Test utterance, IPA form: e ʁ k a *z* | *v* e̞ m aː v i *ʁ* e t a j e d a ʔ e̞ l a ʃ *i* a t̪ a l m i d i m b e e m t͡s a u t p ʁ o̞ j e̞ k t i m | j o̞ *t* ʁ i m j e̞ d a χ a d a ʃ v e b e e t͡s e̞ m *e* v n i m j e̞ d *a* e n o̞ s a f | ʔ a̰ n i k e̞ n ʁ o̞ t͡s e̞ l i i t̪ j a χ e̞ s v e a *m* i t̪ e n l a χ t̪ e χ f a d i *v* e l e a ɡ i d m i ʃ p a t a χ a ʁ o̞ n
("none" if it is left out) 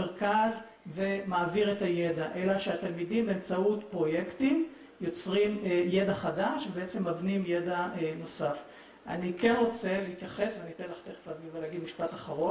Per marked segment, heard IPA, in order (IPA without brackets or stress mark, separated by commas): z, v, ʁ, e, t͡s, a, a, n, v